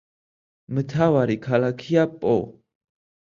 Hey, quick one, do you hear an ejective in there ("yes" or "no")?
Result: yes